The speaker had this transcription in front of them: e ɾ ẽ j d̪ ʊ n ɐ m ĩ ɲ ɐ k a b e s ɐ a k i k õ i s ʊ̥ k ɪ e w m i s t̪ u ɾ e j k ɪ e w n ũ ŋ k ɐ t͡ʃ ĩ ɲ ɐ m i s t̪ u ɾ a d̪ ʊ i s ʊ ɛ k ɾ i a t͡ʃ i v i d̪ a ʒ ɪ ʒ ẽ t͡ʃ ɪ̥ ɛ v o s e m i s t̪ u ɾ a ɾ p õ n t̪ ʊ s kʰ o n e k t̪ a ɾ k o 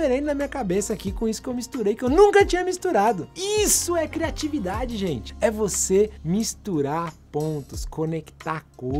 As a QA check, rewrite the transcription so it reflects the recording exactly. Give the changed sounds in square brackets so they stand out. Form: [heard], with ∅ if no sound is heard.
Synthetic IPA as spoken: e ɾ ẽ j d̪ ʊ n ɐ m ĩ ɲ ɐ k a b e s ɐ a k i k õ i s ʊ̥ k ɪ e w m i s t̪ u ɾ e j k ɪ e w n ũ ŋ k ɐ t͡ʃ ĩ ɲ ɐ m i s t̪ u ɾ a d̪ ʊ i s ʊ ɛ k ɾ i a t͡ʃ i v i d̪ a [d͡ʒ] ɪ ʒ ẽ t͡ʃ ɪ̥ ɛ v o s e m i s t̪ u ɾ a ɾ p õ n t̪ ʊ s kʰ o n e k t̪ a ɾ k o